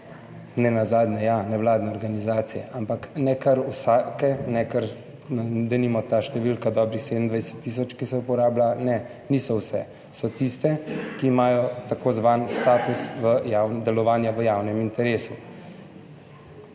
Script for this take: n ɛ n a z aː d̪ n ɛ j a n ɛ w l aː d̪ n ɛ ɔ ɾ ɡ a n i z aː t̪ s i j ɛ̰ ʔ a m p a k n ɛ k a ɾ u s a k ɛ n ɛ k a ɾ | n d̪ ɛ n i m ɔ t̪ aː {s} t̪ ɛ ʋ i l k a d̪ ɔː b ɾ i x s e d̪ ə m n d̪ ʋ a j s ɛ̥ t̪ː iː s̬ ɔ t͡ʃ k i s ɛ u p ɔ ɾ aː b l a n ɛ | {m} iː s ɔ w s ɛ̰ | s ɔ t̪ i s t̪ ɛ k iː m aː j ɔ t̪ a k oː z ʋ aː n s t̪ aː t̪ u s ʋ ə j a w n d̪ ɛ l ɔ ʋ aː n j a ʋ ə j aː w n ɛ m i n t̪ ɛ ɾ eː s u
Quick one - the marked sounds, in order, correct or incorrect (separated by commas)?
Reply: incorrect, incorrect